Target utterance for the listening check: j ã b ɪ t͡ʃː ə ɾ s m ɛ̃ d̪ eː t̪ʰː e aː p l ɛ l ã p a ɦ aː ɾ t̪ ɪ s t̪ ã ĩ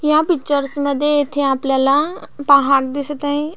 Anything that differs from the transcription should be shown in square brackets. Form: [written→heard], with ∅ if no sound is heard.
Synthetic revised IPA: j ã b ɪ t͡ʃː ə ɾ s m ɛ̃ d̪ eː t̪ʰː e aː p l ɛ l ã p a ɦ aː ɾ [t̪→d̪] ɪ s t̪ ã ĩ